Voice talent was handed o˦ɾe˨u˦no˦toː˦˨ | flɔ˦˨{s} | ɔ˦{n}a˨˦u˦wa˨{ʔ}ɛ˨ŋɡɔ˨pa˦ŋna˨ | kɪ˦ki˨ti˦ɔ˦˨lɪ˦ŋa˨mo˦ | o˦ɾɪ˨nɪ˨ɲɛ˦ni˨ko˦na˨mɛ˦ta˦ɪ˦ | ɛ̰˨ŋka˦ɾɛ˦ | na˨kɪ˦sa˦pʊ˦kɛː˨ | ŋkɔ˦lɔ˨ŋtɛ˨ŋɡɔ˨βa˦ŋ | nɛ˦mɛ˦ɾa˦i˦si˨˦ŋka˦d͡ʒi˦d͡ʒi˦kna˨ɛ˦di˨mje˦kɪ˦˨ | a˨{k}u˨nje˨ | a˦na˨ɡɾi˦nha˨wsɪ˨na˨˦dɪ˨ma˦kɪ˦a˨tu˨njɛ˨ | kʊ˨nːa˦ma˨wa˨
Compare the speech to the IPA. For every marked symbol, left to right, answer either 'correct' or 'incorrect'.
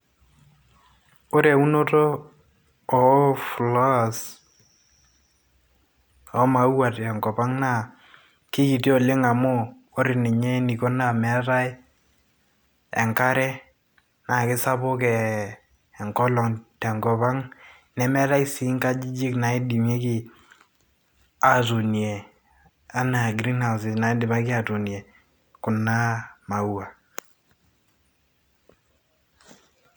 correct, incorrect, incorrect, incorrect

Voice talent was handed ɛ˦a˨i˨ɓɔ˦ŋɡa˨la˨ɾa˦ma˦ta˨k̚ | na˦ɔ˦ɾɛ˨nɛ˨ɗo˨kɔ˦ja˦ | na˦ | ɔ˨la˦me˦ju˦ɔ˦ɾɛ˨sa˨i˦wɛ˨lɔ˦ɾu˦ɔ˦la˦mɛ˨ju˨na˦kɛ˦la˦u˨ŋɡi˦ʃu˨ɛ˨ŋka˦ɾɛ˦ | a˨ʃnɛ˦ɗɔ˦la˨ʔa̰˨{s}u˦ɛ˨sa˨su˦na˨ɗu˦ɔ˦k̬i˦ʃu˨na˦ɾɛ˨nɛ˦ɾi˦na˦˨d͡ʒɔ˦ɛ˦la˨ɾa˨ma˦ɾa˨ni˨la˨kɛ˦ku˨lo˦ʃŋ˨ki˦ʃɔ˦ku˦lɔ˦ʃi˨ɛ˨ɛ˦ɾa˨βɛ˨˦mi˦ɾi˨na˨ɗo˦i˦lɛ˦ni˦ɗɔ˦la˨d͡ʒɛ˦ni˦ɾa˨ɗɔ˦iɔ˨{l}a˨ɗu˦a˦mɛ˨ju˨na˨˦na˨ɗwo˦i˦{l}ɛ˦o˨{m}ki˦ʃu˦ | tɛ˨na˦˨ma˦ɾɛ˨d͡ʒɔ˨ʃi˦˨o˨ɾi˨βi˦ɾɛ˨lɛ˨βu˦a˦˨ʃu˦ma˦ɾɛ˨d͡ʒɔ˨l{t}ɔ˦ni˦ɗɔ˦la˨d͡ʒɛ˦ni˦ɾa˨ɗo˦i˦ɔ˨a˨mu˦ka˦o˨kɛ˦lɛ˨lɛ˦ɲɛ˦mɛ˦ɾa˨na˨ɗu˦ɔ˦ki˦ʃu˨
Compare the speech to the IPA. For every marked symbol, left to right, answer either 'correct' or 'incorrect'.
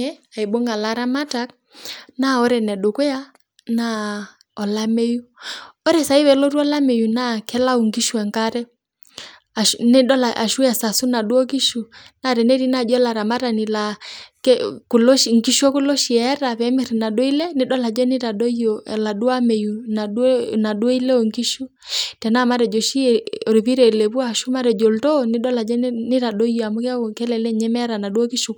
incorrect, correct, correct, incorrect, correct

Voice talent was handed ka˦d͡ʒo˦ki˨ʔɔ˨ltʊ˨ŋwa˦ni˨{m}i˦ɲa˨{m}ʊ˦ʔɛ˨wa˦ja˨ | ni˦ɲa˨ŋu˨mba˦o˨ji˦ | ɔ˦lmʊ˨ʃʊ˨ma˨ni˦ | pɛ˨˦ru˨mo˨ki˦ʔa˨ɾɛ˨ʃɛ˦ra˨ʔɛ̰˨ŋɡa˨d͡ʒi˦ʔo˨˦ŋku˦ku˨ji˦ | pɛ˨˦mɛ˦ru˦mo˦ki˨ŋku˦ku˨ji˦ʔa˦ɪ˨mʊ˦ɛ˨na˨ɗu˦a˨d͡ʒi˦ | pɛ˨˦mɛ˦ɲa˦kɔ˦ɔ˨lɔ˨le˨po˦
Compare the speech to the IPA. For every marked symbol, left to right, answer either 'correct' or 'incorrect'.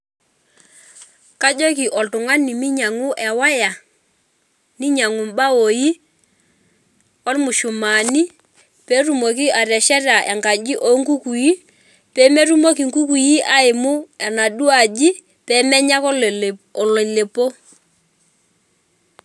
correct, incorrect

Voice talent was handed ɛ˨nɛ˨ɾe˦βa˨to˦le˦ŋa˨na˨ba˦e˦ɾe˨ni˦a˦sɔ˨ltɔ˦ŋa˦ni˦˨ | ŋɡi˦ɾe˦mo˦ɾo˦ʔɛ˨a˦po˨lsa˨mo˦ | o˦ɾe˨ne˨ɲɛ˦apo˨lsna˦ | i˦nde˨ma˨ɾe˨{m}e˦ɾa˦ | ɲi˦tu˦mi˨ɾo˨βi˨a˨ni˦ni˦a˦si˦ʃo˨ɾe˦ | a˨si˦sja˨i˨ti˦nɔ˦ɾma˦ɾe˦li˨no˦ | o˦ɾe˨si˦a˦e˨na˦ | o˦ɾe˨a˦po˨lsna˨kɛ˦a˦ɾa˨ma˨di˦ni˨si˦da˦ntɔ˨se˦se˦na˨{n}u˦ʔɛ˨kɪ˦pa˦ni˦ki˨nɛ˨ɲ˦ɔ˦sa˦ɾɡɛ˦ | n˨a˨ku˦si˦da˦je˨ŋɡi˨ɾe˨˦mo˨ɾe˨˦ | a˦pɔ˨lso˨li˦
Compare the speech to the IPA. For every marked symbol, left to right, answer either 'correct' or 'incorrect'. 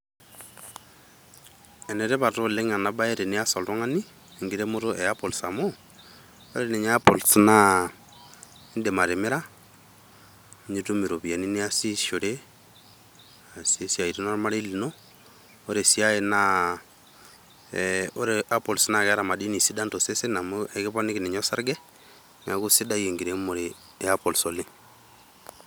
correct, incorrect

